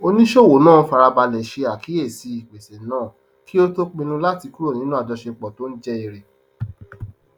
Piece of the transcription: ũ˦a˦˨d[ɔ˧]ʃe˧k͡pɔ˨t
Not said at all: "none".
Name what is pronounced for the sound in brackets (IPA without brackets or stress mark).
ɔ˧